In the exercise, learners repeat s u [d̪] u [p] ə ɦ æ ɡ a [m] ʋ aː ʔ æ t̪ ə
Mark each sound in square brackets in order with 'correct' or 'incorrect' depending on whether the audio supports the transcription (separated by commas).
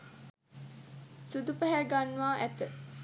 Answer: correct, correct, incorrect